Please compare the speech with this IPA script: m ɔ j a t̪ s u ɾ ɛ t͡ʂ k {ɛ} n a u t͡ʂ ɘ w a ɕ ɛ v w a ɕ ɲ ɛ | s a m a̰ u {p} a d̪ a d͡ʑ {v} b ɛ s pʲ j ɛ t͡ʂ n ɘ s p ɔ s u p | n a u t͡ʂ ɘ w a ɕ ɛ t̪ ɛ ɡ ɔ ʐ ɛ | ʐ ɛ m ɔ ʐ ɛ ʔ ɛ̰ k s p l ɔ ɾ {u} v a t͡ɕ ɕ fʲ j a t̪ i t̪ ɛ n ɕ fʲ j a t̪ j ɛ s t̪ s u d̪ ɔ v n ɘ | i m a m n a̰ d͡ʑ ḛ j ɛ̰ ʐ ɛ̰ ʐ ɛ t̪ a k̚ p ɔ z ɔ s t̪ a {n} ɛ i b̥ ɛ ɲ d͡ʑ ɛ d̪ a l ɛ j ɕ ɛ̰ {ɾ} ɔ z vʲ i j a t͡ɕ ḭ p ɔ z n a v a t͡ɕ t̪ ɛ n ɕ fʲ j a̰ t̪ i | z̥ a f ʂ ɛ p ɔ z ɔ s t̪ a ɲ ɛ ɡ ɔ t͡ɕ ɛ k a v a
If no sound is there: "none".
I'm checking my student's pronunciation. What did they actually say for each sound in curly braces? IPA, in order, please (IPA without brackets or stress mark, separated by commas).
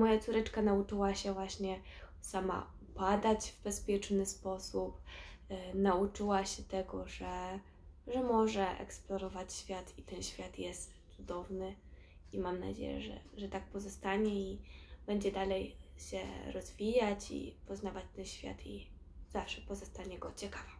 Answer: a, p, v, ɔ, ɲ, ɾ